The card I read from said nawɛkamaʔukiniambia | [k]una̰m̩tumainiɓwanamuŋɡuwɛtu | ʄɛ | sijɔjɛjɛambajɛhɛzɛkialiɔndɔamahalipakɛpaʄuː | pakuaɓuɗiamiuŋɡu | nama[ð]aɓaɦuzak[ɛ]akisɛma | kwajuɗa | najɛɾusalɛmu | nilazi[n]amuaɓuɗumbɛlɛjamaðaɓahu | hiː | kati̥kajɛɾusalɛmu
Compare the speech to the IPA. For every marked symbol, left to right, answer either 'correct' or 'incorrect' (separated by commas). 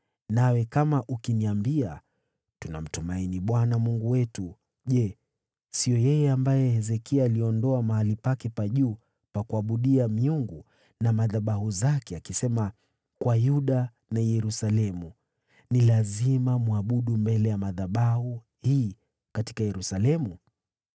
incorrect, correct, correct, incorrect